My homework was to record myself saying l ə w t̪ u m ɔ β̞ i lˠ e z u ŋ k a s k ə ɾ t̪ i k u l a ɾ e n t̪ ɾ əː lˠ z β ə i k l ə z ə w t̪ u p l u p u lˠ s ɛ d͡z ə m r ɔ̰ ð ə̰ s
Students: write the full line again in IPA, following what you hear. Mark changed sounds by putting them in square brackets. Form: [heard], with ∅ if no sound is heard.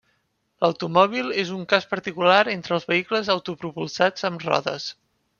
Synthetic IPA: l ə w t̪ u m ɔ β̞ i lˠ e z u ŋ k a s [p] ə ɾ t̪ i k u l a ɾ e n t̪ ɾ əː lˠ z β ə i k l ə z ə w t̪ u p [ɾ] u p u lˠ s [a] d͡z ə m r ɔ̰ ð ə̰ s